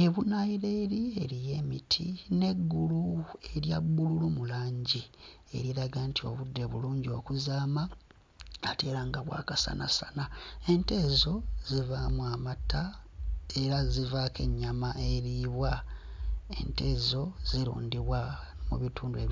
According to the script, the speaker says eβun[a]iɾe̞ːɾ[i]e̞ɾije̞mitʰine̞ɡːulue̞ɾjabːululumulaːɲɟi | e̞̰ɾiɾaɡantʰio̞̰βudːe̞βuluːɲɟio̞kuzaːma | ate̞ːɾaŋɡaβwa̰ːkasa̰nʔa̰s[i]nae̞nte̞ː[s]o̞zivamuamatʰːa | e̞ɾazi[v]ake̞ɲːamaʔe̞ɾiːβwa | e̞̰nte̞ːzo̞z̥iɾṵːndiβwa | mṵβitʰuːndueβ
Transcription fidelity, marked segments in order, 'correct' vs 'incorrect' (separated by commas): correct, correct, incorrect, incorrect, correct